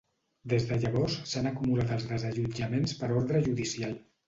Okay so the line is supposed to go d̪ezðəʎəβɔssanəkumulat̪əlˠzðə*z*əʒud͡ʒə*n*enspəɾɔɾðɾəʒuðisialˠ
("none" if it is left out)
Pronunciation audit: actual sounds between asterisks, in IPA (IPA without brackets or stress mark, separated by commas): z, m